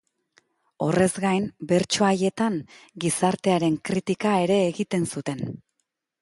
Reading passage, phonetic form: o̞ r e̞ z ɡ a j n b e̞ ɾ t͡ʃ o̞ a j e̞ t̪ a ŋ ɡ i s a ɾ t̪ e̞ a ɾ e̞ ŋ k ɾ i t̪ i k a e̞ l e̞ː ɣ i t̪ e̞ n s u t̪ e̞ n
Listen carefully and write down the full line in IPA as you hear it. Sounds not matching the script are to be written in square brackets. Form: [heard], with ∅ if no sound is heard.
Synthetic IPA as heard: o̞ r e̞ z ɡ a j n b e̞ ɾ t͡ʃ o̞ a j e̞ t̪ a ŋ ɡ i s a ɾ t̪ e̞ a ɾ e̞ ŋ k ɾ i t̪ i k a e̞ [ɾ] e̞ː ɣ i t̪ e̞ n s u t̪ e̞ n